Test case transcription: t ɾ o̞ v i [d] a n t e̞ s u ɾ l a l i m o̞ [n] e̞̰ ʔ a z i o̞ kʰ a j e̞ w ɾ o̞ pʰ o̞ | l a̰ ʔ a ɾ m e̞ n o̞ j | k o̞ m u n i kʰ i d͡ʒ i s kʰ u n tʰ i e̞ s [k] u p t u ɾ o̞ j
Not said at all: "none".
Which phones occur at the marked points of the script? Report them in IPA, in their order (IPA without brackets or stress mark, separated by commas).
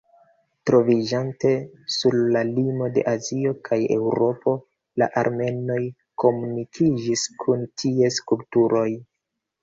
d͡ʒ, d, k